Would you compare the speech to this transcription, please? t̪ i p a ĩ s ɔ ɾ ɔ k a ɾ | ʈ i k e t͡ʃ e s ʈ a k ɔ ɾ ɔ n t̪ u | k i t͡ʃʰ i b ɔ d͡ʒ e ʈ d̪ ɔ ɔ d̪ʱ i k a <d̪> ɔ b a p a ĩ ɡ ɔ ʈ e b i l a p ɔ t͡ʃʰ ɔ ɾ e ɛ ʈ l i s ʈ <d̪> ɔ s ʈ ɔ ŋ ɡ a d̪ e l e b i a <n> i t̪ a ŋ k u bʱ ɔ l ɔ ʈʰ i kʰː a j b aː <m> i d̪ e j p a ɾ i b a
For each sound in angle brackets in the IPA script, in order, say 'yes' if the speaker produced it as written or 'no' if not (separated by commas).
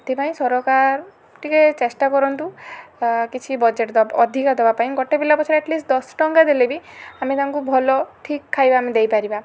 yes, yes, no, yes